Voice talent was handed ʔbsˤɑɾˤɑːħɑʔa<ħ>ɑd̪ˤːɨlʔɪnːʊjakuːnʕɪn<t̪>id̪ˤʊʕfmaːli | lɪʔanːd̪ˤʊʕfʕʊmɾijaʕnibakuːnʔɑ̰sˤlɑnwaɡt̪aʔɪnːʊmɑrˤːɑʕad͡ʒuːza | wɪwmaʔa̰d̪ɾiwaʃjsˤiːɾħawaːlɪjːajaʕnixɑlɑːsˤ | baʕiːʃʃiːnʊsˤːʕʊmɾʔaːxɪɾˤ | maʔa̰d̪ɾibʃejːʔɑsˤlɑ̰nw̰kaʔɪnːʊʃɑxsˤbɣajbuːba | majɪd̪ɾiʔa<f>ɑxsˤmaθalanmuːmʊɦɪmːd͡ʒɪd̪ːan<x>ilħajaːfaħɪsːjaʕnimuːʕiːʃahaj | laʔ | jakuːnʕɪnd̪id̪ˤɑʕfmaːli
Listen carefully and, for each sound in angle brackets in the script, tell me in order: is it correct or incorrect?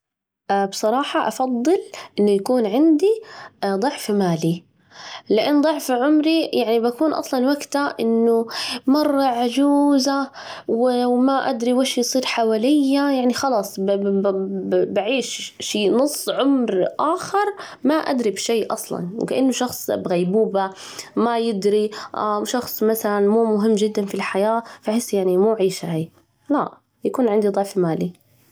incorrect, incorrect, incorrect, incorrect

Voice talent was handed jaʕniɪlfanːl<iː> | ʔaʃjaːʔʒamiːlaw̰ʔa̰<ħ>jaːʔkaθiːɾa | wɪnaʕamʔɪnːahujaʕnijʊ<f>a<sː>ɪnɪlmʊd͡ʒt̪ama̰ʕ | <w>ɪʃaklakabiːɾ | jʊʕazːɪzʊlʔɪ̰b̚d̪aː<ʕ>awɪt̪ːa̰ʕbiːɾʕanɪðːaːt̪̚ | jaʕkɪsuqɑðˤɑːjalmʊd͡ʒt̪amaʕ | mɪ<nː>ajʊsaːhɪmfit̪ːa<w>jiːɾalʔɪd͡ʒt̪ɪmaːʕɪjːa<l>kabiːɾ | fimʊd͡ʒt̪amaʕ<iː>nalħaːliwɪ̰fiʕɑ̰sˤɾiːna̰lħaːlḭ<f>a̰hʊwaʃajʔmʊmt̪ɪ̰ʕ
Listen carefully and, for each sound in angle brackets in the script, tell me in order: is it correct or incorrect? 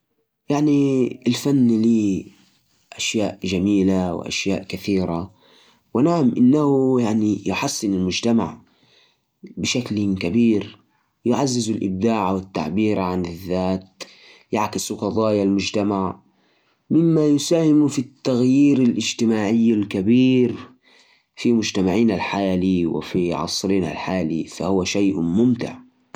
correct, incorrect, incorrect, correct, incorrect, correct, incorrect, incorrect, correct, correct, correct

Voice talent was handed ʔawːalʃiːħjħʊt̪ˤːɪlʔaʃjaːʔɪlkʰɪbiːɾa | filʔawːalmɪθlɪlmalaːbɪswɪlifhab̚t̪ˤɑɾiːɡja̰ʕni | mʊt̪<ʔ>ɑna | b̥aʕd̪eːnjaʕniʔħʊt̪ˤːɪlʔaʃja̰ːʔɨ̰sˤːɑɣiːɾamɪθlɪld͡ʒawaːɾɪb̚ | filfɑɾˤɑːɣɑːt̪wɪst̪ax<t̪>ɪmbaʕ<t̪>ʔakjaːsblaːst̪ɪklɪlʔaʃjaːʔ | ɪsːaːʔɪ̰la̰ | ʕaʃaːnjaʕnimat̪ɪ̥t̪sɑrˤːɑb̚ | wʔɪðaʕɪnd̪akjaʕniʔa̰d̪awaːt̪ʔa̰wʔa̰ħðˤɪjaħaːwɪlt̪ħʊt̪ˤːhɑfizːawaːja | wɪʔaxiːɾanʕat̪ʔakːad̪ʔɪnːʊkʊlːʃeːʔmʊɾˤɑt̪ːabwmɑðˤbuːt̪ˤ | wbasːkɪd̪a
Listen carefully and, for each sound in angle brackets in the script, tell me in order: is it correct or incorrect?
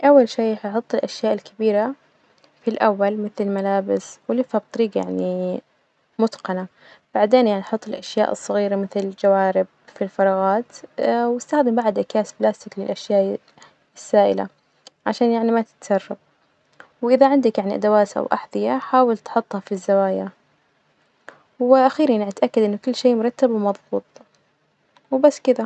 incorrect, incorrect, incorrect

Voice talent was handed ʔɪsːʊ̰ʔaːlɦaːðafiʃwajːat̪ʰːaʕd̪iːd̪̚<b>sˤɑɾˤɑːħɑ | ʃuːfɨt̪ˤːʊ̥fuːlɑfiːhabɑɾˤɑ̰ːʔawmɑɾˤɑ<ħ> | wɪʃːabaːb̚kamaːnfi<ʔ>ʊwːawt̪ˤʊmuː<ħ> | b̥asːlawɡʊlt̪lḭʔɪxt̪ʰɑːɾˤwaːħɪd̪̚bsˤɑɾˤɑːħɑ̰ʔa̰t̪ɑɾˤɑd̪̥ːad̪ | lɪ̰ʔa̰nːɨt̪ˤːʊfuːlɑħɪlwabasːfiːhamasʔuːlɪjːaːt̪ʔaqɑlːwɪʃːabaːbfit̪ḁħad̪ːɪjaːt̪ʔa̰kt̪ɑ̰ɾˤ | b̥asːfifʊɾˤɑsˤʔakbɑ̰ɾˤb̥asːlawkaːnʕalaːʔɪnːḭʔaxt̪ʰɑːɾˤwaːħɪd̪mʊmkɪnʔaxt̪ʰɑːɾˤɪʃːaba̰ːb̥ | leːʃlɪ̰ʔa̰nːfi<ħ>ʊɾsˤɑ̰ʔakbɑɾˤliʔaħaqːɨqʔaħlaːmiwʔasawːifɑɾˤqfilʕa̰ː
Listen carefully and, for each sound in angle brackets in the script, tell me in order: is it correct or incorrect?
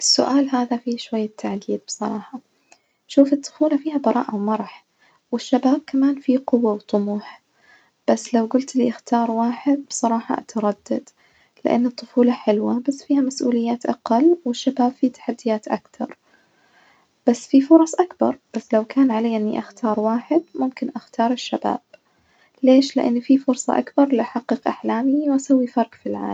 correct, correct, incorrect, correct, incorrect

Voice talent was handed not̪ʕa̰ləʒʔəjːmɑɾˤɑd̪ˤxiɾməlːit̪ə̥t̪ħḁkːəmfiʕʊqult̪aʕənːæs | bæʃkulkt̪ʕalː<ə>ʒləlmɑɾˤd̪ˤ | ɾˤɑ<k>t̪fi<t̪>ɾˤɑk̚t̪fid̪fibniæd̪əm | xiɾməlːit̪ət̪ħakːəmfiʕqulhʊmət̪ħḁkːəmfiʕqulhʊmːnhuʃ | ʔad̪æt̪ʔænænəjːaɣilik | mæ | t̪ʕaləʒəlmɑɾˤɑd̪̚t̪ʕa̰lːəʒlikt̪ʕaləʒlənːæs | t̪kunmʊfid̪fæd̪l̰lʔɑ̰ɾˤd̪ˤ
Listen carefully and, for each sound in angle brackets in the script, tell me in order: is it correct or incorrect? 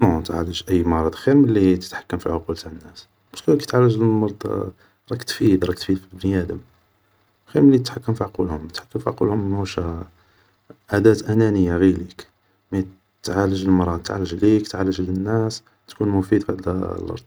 correct, correct, incorrect

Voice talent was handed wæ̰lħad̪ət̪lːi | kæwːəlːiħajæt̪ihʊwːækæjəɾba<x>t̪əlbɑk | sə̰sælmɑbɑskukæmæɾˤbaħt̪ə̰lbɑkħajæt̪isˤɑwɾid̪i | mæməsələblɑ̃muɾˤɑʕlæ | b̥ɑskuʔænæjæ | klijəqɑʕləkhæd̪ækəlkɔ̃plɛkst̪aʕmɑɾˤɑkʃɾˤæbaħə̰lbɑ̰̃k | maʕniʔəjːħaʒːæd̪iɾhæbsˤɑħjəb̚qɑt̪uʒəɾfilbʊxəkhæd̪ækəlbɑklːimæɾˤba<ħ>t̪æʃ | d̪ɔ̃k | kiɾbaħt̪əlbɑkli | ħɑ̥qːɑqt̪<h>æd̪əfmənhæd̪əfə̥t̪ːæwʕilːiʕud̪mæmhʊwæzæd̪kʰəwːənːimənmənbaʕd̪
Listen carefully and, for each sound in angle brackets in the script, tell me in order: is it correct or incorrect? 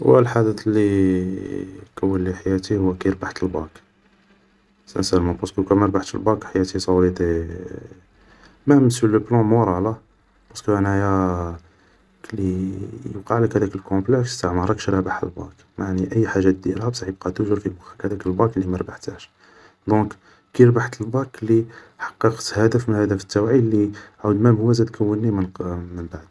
incorrect, correct, correct

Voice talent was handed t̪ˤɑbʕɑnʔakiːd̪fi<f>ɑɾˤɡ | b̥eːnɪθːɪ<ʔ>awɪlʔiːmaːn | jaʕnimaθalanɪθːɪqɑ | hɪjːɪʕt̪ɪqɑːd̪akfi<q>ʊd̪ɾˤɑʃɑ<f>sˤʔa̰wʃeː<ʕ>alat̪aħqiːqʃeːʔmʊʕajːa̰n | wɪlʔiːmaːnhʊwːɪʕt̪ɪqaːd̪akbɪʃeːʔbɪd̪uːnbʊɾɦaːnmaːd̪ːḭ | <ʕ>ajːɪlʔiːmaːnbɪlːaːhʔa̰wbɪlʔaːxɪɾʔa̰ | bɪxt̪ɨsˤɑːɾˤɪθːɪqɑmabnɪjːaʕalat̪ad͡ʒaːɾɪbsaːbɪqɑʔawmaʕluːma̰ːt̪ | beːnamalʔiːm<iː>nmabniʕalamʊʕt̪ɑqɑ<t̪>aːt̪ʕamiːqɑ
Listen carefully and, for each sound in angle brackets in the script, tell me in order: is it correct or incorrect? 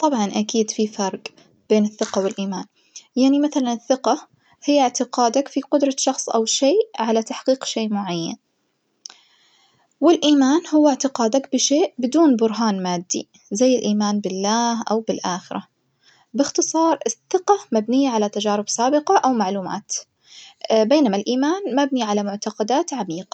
correct, incorrect, correct, incorrect, correct, incorrect, incorrect, incorrect

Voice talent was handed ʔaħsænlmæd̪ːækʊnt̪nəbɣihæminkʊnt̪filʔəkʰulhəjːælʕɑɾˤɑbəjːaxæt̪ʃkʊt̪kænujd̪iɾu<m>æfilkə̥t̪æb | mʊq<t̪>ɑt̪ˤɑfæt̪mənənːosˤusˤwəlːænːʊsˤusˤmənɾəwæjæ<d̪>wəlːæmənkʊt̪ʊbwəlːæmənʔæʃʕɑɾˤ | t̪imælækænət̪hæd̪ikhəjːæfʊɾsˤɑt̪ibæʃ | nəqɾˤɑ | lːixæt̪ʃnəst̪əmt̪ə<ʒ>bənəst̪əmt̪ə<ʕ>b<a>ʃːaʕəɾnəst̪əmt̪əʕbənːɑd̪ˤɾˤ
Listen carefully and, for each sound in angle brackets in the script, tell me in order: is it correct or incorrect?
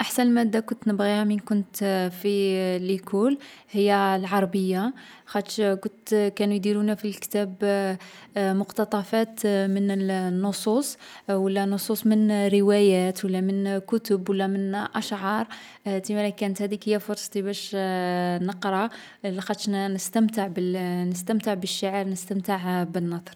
incorrect, correct, incorrect, incorrect, correct, incorrect

